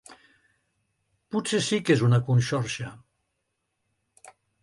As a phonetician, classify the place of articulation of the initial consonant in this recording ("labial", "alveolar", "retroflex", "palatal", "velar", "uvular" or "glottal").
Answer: labial